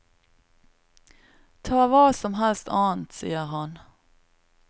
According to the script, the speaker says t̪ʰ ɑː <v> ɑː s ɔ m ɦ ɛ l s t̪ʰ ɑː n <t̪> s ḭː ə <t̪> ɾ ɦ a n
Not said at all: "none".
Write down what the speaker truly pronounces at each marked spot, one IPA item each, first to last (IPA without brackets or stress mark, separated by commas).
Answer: v, t̪, none